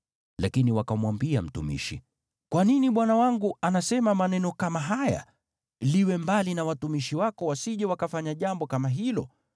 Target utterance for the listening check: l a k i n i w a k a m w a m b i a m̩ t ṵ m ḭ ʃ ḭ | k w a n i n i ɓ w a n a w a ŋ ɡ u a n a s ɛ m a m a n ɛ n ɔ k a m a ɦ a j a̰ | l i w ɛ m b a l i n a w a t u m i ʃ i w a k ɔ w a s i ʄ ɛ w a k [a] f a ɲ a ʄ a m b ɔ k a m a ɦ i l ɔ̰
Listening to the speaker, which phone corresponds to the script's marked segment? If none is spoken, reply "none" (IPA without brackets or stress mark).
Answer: a